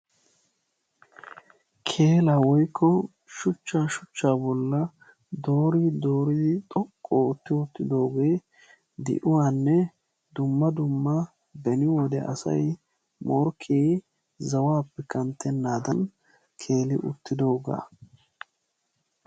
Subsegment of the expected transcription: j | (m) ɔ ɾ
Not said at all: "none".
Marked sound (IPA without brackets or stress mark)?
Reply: m